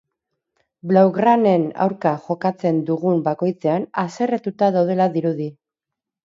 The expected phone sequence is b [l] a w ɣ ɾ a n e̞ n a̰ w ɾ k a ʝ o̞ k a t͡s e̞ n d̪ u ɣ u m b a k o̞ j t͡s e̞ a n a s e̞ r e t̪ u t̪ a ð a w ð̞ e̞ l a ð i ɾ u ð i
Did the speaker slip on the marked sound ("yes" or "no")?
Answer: no